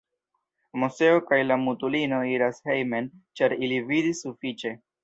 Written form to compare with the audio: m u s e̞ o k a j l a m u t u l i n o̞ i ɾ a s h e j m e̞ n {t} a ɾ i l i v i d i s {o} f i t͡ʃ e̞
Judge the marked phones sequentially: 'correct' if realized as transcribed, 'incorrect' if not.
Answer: incorrect: t͡ʃ, incorrect: u

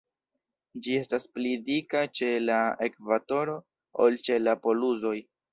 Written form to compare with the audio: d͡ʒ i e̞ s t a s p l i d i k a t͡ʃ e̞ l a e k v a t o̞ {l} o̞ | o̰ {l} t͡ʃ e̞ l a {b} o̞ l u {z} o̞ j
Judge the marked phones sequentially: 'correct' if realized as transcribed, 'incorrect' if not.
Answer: incorrect: ɾ, correct, incorrect: p, correct

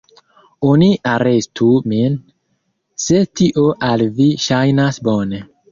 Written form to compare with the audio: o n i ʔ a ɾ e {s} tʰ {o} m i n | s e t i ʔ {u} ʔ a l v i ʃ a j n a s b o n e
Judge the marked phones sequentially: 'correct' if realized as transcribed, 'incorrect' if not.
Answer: correct, incorrect: u, incorrect: o

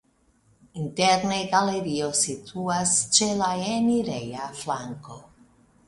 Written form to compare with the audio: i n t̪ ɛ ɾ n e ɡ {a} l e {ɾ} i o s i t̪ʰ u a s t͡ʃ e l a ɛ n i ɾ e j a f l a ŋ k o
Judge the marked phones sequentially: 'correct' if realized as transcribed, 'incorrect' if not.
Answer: correct, correct

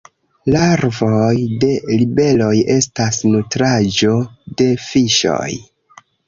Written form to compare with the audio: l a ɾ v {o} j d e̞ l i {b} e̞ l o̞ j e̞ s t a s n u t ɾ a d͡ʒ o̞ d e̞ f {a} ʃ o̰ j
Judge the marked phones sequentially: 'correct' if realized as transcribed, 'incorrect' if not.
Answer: correct, correct, incorrect: i

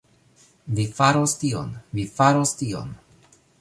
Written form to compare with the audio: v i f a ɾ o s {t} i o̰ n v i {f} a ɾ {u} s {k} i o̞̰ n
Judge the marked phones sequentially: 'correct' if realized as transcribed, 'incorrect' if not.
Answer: correct, correct, incorrect: o, incorrect: t

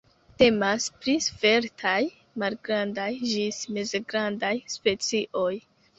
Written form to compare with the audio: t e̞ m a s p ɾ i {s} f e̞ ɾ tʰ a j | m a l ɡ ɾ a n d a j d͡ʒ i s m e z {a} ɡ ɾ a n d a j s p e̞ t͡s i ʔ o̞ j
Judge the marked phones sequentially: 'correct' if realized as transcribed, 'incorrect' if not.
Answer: correct, incorrect: e

